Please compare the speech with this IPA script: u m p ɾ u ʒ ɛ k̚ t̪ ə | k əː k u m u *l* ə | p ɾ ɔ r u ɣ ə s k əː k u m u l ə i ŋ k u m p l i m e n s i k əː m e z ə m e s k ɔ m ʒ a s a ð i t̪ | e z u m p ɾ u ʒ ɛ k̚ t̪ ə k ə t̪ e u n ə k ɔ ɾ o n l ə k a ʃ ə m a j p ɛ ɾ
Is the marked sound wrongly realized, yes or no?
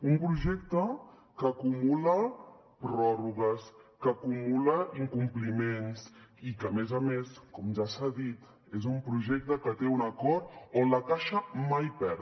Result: no